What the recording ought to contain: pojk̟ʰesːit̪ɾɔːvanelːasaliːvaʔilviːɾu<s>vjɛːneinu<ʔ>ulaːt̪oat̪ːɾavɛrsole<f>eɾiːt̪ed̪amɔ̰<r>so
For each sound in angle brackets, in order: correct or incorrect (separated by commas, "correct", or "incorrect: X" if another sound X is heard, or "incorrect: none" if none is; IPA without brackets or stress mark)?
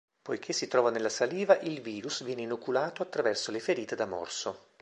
correct, incorrect: k, correct, correct